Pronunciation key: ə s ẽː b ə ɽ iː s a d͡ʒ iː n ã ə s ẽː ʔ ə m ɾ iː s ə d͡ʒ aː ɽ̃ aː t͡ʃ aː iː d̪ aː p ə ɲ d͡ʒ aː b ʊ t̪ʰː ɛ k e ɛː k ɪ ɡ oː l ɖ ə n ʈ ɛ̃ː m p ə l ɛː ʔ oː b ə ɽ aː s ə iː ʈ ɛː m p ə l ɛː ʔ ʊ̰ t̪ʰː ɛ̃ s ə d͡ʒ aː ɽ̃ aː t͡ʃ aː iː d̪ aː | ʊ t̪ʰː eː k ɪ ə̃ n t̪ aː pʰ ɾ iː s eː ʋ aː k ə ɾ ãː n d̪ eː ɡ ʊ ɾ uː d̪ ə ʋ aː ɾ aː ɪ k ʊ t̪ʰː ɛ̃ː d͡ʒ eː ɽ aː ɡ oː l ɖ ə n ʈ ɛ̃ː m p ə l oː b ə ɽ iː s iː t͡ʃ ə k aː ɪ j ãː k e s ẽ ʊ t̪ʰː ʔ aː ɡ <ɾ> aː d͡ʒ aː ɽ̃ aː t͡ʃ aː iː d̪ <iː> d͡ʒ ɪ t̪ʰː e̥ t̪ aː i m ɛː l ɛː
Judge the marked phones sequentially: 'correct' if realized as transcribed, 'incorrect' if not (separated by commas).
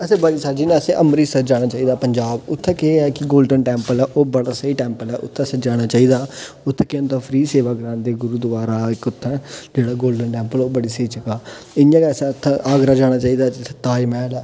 correct, incorrect